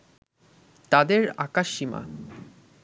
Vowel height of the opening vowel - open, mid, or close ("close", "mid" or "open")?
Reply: open